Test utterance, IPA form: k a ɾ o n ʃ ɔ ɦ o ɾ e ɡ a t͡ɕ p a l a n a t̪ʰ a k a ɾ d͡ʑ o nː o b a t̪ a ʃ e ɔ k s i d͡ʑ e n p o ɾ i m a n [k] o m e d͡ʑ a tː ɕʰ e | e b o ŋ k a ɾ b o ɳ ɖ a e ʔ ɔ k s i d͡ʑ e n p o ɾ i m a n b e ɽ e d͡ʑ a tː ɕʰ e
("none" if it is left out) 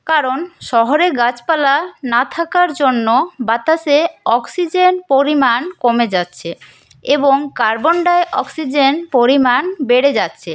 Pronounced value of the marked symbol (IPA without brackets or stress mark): k